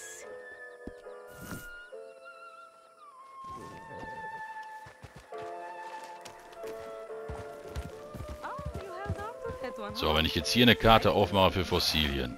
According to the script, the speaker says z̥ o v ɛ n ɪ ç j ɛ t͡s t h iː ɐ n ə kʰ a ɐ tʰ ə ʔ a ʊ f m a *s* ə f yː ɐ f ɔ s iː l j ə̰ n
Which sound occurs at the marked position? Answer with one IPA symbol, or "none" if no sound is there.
χ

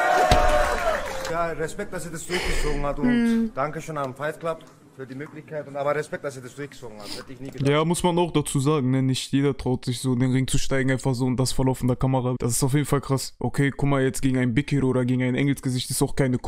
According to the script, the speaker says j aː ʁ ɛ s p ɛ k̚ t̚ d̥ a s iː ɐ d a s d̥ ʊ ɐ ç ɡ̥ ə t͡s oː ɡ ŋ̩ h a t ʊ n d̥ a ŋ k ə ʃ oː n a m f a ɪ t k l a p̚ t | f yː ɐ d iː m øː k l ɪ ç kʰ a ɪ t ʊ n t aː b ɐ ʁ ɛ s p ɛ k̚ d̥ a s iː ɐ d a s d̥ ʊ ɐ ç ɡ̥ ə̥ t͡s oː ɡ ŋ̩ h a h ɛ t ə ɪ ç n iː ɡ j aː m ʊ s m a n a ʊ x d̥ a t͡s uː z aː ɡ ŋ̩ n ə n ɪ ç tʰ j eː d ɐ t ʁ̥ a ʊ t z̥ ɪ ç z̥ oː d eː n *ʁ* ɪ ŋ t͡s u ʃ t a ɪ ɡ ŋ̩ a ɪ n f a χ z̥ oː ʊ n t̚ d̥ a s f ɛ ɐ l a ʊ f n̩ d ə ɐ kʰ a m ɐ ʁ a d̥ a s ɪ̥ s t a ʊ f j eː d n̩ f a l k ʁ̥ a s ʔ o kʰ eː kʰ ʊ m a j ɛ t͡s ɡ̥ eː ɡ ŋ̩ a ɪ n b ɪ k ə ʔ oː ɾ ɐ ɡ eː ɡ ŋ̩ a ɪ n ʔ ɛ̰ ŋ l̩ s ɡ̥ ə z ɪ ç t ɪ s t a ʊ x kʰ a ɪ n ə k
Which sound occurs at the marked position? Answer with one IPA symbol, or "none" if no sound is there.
ʁ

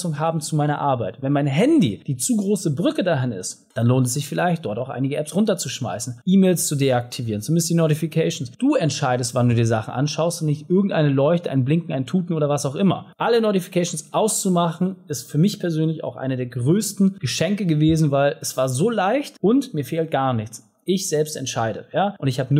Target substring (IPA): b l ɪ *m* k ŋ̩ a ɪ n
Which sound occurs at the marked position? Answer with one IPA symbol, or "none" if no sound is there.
ŋ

